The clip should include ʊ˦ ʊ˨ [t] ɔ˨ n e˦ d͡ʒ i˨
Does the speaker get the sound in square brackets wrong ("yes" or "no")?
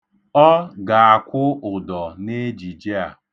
yes